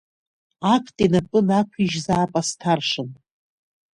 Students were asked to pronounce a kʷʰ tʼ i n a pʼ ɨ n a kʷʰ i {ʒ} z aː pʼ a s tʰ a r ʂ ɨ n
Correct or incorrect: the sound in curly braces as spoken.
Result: correct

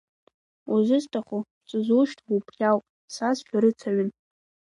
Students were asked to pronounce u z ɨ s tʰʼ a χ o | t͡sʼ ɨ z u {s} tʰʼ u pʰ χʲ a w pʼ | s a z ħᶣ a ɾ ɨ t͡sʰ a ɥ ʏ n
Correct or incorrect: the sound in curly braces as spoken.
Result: incorrect: ʃ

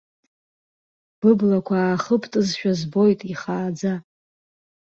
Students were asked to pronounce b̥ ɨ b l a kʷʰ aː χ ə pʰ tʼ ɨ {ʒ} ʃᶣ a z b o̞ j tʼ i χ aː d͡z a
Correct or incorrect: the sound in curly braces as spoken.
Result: incorrect: z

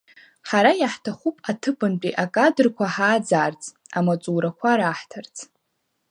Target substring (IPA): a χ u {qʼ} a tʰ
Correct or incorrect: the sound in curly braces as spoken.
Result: incorrect: pʼ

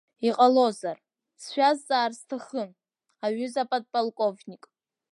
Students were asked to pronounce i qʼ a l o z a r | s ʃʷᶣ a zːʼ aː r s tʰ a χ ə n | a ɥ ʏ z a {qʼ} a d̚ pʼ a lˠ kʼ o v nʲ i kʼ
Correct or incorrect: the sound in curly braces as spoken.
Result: incorrect: pʼ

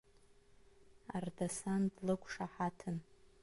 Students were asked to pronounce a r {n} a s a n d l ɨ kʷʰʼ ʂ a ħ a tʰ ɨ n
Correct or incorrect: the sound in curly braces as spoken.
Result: incorrect: d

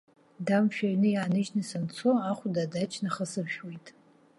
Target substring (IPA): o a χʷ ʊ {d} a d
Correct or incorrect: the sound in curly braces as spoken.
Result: correct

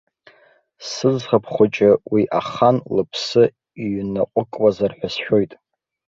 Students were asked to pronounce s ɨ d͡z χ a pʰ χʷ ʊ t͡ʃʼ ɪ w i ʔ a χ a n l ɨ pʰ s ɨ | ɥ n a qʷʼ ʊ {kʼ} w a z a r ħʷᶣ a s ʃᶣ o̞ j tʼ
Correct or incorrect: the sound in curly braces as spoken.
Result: correct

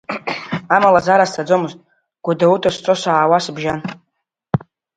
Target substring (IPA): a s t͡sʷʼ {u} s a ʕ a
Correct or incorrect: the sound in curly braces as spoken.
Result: incorrect: o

